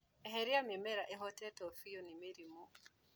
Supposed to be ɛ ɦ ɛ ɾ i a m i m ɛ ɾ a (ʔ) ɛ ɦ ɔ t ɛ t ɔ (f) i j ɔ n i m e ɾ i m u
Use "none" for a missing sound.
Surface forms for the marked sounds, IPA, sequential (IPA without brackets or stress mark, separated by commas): ʔ, f